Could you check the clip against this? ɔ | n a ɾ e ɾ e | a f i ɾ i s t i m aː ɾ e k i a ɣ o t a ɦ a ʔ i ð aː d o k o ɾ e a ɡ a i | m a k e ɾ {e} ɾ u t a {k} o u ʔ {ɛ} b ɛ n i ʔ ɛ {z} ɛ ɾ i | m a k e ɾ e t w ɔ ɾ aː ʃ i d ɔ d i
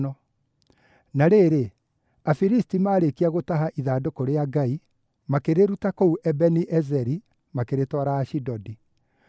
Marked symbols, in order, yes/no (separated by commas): yes, yes, yes, yes